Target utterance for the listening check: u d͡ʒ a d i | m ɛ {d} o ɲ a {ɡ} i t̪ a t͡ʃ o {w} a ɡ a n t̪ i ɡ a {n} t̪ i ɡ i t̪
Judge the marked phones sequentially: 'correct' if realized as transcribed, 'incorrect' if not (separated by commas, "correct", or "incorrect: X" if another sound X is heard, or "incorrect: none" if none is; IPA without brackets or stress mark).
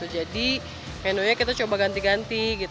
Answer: incorrect: n, incorrect: k, incorrect: b, correct